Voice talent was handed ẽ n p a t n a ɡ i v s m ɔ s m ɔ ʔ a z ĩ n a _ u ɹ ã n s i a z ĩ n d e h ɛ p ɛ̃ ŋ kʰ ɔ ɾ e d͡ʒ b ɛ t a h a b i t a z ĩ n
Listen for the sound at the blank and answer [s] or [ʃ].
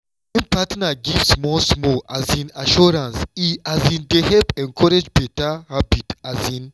ʃ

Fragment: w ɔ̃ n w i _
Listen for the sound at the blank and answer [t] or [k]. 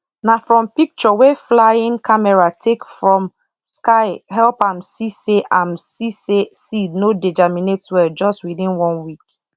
k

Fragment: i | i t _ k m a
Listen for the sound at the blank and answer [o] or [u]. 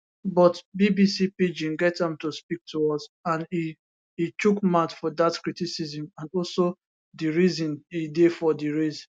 u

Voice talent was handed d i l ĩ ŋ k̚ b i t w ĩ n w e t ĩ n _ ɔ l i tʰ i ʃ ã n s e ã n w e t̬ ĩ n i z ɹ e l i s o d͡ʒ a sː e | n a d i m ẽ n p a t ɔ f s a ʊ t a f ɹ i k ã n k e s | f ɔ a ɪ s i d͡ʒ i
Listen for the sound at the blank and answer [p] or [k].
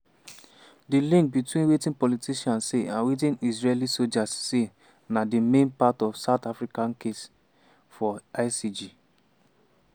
p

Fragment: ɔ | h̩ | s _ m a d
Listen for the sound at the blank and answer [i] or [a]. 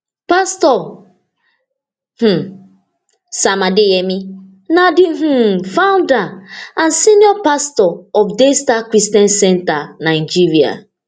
a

